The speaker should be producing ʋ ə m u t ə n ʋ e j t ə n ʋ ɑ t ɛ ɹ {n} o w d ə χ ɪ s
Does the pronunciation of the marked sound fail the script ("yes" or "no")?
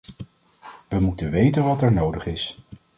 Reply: no